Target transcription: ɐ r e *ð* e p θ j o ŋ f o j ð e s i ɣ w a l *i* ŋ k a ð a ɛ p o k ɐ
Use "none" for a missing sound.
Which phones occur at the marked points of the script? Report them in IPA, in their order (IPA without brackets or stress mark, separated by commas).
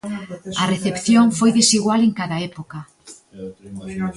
θ, e